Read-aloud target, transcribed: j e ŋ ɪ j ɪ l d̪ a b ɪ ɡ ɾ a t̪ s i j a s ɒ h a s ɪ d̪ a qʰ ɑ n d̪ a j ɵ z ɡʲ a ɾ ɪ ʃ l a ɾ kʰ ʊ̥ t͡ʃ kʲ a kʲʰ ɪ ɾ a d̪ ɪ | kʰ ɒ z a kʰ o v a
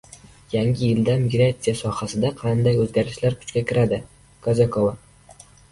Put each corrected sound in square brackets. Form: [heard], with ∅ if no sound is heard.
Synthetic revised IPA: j [a] ŋ ɪ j ɪ l d̪ a [m] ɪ ɡ ɾ a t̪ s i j a s ɒ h a s ɪ d̪ a qʰ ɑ n d̪ a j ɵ z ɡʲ a ɾ ɪ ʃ l a ɾ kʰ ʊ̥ t͡ʃ kʲ a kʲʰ ɪ ɾ a d̪ ɪ | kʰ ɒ z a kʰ o v a